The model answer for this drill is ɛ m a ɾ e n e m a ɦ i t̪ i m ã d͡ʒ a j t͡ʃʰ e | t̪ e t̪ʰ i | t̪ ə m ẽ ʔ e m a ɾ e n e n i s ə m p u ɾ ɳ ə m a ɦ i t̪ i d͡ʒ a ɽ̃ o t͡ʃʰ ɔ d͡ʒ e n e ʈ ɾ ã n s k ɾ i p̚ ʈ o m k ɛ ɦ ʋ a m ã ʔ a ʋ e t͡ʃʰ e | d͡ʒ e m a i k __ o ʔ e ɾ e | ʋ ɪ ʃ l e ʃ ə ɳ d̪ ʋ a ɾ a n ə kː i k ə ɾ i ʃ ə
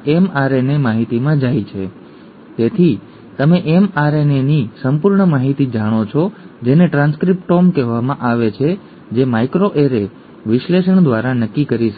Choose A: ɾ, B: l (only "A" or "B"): A